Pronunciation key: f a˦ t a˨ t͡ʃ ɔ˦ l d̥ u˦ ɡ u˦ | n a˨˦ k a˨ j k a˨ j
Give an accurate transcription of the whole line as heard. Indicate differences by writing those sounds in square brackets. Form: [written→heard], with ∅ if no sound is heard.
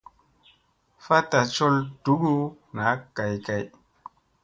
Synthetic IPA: f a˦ t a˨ t͡ʃ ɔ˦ l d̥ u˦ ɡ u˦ | n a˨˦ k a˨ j k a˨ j

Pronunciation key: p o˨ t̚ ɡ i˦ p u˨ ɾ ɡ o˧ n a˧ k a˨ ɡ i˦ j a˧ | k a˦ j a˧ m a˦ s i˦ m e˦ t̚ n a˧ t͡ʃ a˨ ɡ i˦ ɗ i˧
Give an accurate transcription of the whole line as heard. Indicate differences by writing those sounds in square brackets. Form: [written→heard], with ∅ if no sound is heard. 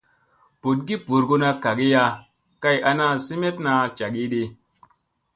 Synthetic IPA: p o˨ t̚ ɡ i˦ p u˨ ɾ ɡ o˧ n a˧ k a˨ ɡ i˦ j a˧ | k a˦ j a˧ [m→n] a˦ s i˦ m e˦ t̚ n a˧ t͡ʃ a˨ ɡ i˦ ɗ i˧

